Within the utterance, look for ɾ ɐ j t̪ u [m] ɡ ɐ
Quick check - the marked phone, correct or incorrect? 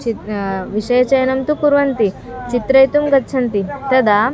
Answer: correct